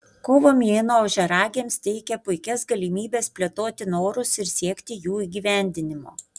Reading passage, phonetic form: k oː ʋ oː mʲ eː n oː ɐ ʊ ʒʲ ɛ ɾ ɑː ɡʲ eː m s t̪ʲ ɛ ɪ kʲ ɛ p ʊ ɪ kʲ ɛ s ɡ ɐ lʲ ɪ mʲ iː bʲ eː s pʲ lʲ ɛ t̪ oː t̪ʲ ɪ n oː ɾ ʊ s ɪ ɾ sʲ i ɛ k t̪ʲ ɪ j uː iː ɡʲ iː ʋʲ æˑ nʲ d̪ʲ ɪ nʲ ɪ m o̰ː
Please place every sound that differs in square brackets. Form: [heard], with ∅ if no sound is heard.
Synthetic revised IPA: k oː ʋ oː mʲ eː n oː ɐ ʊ ʒʲ ɛ ɾ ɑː ɡʲ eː m s t̪ʲ ɛ ɪ kʲ ɛ p ʊ ɪ kʲ ɛ s ɡ ɐ lʲ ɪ mʲ iː bʲ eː s pʲ lʲ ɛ t̪ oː t̪ʲ ɪ n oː ɾ ʊ s ɪ ɾ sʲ i ɛ k t̪ʲ ɪ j uː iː ɡʲ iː ʋʲ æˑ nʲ d̪ʲ ɪ nʲ ɪ m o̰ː